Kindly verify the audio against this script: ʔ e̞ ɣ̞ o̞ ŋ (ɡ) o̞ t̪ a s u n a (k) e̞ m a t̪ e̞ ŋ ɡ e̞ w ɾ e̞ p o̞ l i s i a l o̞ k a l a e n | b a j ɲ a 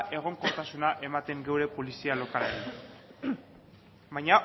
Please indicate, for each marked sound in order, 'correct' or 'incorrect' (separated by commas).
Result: incorrect, incorrect